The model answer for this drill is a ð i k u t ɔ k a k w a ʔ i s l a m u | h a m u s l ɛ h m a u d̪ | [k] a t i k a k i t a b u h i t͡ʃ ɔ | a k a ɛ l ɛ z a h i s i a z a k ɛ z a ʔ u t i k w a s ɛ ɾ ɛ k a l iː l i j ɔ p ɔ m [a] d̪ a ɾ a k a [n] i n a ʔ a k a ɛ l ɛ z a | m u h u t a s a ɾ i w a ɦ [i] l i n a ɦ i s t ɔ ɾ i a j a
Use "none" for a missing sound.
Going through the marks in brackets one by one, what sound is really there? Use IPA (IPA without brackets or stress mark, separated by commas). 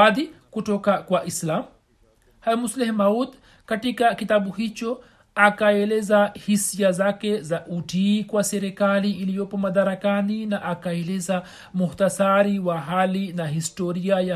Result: k, a, n, a